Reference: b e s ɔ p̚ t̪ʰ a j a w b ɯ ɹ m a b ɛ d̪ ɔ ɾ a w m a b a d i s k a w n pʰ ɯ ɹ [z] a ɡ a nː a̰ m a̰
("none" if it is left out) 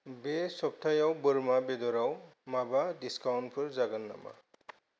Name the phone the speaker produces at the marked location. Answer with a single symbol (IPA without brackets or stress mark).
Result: z